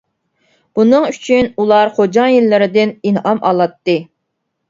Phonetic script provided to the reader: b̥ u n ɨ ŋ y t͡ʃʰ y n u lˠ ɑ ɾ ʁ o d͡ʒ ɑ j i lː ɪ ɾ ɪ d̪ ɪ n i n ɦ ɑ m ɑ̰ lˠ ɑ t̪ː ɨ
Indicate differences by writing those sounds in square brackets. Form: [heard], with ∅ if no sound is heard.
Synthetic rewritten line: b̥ u n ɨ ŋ y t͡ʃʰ y n u lˠ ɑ ɾ [χ] o d͡ʒ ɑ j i lː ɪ ɾ ɪ d̪ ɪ n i n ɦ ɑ m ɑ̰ lˠ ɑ t̪ː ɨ